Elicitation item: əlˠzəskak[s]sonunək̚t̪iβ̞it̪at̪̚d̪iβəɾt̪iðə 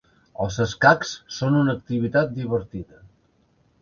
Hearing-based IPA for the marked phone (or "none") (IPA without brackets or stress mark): s